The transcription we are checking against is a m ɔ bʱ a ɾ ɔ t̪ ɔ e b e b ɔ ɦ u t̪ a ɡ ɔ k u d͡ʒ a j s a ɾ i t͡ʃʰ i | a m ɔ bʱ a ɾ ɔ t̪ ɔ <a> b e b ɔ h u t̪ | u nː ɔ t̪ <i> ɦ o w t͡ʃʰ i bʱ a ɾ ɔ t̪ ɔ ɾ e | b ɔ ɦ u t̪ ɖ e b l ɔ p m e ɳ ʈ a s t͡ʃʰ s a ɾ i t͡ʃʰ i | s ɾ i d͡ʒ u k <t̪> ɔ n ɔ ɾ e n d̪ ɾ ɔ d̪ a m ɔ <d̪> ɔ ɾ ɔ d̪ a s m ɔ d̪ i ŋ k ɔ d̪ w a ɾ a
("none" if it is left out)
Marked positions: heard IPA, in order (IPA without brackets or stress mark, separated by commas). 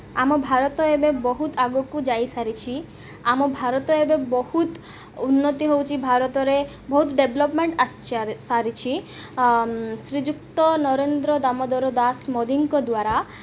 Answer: e, i, t̪, d̪